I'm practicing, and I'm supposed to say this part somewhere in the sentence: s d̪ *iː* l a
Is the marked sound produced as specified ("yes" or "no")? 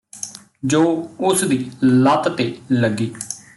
yes